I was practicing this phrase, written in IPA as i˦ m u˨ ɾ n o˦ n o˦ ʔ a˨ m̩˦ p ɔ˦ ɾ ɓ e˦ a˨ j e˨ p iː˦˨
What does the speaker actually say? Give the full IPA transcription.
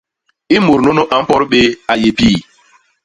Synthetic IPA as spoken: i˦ m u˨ ɾ n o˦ n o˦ ʔ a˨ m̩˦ p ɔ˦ ɾ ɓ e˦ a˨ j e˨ p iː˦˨